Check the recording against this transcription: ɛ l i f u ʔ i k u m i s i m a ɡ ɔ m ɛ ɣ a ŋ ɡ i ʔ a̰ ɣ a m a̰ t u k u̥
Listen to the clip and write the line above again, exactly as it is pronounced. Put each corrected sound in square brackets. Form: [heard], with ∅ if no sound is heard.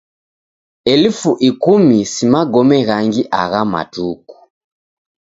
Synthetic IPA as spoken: ɛ l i f u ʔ i k u m i s i m a ɡ ɔ m ɛ ɣ a ŋ ɡ i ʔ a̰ ɣ a m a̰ t u k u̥